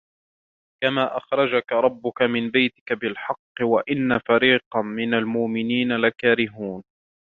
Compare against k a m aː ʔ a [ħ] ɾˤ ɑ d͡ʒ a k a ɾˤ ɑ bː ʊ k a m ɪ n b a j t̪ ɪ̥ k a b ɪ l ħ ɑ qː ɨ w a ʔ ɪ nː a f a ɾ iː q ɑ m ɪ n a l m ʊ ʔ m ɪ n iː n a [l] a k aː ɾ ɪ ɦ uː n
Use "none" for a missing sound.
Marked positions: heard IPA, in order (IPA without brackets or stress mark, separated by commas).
x, l